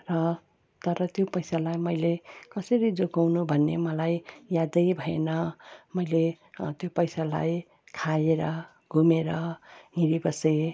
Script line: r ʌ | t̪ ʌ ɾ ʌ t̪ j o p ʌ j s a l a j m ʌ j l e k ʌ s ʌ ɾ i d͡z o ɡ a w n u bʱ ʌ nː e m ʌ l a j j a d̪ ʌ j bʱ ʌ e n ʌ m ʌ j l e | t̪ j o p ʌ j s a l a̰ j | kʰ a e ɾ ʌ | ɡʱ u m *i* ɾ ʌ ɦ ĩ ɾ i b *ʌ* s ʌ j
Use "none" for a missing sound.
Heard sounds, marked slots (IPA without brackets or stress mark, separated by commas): e, ʌ